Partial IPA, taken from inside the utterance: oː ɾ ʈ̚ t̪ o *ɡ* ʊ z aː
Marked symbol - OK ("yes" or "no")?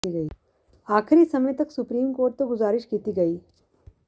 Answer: yes